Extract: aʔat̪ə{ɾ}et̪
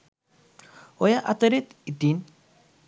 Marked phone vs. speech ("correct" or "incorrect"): correct